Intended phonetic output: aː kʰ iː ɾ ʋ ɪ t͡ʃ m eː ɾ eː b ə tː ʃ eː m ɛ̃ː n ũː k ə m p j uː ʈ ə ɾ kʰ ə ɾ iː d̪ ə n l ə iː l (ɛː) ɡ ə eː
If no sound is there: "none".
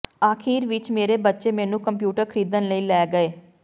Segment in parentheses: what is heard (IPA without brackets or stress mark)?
ɛː